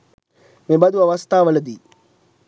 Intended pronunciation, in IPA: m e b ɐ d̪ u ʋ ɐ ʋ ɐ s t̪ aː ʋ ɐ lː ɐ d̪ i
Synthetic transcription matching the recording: m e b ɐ d̪ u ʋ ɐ ʋ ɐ s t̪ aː ʋ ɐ l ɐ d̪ i